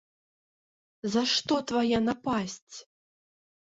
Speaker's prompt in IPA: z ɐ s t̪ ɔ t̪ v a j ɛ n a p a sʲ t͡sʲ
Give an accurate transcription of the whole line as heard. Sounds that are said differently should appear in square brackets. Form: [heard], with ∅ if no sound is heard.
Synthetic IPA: z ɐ [ʂ] t̪ ɔ t̪ v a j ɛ n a p a sʲ t͡sʲ